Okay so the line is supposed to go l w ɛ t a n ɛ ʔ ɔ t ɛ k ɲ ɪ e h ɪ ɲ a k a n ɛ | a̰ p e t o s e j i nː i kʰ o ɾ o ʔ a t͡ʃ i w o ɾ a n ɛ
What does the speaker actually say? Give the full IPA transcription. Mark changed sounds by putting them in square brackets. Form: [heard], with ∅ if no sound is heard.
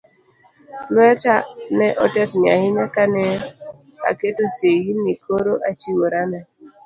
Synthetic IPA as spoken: l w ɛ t a n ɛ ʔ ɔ t ɛ [t] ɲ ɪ [a] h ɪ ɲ a k a n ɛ | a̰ [k] e t o s e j i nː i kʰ o ɾ o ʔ a t͡ʃ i w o ɾ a n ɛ